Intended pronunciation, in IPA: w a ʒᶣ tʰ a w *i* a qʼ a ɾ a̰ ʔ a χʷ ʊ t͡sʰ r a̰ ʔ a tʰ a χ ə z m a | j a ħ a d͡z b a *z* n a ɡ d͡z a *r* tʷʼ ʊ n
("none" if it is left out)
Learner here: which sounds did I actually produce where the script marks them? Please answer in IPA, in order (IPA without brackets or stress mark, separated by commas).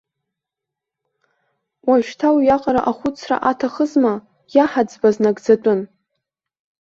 j, z, none